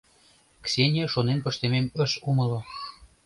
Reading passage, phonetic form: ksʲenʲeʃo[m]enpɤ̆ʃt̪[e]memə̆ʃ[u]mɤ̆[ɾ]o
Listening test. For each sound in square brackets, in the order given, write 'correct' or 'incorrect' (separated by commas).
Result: incorrect, correct, correct, incorrect